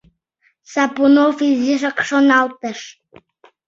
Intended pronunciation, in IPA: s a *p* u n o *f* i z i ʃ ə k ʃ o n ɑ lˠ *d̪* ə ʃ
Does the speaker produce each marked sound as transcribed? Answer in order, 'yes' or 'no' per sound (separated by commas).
yes, yes, no